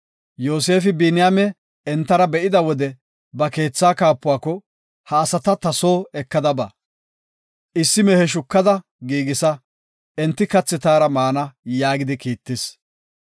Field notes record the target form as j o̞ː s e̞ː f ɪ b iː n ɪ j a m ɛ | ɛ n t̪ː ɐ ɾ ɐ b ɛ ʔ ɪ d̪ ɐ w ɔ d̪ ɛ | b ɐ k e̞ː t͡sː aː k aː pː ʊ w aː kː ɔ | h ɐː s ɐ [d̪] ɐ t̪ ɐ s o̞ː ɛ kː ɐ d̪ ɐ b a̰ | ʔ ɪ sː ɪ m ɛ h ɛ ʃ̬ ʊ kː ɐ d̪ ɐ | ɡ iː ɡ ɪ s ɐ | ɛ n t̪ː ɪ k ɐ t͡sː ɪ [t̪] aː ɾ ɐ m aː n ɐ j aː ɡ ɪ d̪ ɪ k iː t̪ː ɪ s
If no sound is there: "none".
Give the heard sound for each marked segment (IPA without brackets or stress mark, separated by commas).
t̪, t̪